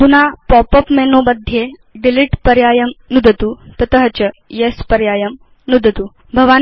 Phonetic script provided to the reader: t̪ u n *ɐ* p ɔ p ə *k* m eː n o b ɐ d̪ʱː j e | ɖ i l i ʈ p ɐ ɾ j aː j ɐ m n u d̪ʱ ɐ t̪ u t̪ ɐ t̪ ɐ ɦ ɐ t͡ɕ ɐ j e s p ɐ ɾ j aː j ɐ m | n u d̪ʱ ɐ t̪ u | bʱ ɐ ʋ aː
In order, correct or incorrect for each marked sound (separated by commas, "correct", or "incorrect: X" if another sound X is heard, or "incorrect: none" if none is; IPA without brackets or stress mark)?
incorrect: a, incorrect: p